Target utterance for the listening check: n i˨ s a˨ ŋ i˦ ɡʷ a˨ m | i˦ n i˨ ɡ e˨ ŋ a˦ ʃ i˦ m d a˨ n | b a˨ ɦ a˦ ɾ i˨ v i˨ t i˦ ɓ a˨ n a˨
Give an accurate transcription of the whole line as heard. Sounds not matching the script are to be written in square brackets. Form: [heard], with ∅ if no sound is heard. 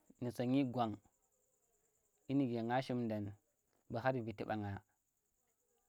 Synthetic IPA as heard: n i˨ s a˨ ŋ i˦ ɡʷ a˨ [ŋ] | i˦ n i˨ ɡ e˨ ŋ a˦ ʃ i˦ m d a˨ n | b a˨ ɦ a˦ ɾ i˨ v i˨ t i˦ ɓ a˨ [ŋ] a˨